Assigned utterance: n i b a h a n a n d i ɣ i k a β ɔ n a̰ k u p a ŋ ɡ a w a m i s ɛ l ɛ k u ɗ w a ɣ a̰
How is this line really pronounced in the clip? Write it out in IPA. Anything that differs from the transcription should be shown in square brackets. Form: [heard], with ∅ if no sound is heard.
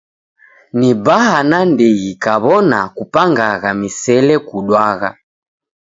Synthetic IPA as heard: n i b a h a n a n d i ɣ i k a β ɔ n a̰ k u p a ŋ ɡ a [ɣ] a m i s ɛ l ɛ k u ɗ w a ɣ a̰

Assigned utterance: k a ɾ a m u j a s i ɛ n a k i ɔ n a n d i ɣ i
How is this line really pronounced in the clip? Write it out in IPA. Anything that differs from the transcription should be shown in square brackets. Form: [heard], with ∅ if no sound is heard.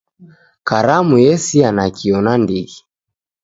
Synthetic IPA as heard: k a ɾ a m u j [ɛ] s i [a] n a k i ɔ n a n d i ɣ i

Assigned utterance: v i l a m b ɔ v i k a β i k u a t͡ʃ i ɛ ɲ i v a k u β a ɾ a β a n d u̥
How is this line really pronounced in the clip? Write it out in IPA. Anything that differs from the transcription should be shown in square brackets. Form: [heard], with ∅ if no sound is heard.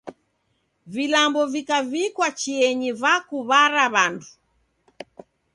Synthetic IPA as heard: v i l a m b ɔ v i k a [v] i k [w] a t͡ʃ i ɛ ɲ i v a k u β a ɾ a β a n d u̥

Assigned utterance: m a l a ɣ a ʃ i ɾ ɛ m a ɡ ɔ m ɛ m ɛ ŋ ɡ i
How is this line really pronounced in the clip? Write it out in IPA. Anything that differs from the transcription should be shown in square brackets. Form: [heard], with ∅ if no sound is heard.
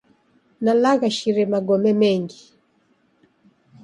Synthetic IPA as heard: [n] a l a ɣ a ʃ i ɾ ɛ m a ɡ ɔ m ɛ m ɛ ŋ ɡ i

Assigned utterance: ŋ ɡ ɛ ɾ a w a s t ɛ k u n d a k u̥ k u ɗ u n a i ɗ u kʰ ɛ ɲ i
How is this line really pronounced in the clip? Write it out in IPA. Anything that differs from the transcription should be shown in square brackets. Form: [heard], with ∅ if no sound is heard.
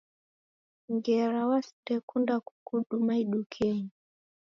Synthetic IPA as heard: ŋ ɡ ɛ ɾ a w a s t ɛ k u n d a k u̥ k u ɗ u [m] a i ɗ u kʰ ɛ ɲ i

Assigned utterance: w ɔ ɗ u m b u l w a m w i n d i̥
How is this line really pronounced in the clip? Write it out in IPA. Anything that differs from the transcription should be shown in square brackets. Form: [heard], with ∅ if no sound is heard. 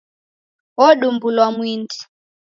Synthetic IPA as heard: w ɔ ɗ u m b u l w a m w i n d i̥

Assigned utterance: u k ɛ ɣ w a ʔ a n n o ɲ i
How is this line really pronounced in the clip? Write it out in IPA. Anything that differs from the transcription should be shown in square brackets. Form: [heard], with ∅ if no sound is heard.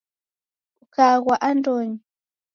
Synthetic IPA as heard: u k [a] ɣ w a ʔ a n [d] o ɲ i

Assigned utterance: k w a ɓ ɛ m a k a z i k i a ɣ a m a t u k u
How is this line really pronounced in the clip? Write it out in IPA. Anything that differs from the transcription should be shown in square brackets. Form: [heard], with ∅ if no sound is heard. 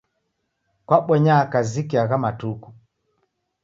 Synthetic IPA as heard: k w a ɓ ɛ [ɲ] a k a z i k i a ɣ a m a t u k u

